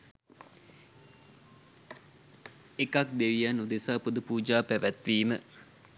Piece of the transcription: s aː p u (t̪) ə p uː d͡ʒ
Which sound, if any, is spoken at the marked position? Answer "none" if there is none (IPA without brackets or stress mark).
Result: d̪